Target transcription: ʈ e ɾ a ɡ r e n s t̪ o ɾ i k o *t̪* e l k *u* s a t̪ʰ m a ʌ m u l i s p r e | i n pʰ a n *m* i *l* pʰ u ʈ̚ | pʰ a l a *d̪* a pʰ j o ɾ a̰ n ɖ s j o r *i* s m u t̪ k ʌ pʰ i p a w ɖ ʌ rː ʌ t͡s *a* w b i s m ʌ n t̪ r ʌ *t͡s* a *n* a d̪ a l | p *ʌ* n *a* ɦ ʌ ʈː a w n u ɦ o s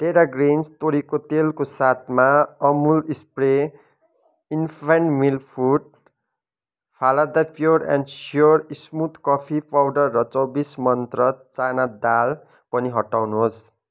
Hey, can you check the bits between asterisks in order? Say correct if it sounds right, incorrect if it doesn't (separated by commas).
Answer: correct, incorrect, correct, correct, correct, correct, incorrect, correct, correct, correct, incorrect